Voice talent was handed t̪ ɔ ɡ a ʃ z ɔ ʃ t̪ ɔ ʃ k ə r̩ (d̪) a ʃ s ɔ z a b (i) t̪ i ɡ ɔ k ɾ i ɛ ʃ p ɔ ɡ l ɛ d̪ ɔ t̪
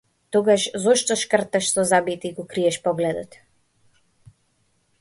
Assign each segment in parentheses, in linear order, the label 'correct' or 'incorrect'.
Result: incorrect: t̪, correct

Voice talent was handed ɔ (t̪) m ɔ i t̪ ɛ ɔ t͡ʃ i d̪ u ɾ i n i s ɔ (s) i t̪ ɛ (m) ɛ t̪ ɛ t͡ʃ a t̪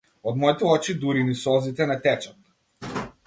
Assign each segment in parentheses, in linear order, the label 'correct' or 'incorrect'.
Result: incorrect: d̪, incorrect: z, incorrect: n

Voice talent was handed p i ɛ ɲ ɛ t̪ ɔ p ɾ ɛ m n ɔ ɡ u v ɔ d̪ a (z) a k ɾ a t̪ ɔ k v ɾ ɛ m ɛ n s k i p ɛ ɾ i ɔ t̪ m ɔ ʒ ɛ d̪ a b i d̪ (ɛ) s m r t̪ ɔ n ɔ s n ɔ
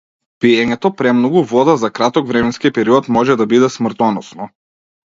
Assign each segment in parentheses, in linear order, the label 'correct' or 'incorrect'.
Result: correct, correct

